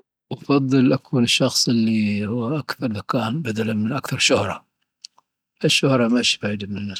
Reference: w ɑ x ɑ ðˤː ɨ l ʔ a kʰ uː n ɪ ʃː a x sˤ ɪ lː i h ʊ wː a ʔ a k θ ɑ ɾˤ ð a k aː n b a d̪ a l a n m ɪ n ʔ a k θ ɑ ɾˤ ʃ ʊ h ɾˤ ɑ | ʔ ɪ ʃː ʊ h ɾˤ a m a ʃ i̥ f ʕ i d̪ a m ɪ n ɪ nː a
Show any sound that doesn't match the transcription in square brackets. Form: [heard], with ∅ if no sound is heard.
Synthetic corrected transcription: w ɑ [f] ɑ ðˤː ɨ l ʔ a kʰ uː n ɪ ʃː [ɑ] x sˤ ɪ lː i h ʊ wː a ʔ a k θ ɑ ɾˤ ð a k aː n b a d̪ a l a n m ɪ n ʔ a k θ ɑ ɾˤ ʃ ʊ h ɾˤ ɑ | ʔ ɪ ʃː ʊ h ɾˤ [ɑ] m a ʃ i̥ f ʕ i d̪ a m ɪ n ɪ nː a